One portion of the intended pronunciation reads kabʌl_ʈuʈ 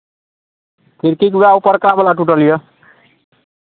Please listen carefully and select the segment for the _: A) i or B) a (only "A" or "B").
B